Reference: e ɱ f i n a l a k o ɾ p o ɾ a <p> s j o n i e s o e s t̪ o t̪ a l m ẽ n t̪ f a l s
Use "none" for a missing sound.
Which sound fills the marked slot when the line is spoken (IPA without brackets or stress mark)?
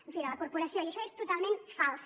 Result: none